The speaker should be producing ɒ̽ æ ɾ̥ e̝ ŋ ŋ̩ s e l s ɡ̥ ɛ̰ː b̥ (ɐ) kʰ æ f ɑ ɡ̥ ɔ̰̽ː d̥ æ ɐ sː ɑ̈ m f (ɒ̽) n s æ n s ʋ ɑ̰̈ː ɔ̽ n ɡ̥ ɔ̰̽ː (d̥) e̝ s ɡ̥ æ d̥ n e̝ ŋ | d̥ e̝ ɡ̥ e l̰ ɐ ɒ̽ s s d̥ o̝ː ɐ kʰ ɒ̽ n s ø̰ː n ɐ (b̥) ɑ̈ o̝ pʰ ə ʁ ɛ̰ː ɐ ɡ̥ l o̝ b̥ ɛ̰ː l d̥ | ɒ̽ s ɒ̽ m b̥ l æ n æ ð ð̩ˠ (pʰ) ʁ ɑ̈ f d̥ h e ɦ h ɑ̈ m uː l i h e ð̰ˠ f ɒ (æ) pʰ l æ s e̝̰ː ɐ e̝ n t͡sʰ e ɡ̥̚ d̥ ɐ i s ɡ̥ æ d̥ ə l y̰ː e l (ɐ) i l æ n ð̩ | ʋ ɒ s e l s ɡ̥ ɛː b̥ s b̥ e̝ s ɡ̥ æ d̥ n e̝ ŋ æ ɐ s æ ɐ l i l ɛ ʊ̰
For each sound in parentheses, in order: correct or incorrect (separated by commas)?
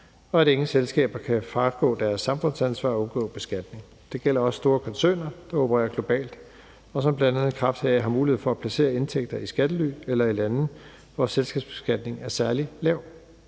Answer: correct, incorrect, incorrect, incorrect, incorrect, correct, correct